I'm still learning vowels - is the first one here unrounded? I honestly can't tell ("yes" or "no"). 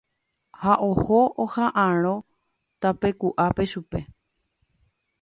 yes